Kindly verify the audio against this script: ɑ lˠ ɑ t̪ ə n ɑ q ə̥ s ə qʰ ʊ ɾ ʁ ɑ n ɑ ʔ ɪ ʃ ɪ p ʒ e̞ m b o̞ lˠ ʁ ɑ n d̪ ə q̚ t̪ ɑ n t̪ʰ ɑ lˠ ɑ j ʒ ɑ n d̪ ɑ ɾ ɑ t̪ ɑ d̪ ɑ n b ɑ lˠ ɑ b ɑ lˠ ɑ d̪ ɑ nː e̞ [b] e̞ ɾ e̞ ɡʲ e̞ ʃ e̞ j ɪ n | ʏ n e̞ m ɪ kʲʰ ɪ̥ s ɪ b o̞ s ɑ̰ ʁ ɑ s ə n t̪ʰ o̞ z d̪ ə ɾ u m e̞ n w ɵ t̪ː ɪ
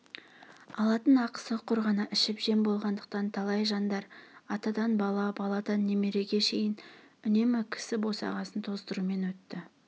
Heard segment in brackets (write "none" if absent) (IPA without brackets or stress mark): m